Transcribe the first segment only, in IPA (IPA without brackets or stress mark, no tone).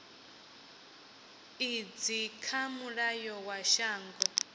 i